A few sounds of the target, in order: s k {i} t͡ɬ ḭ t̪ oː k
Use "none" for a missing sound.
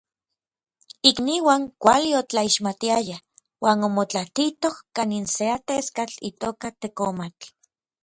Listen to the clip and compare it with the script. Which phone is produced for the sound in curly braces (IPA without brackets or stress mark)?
a